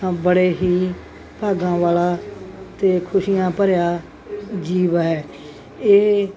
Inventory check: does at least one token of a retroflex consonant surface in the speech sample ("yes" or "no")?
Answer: yes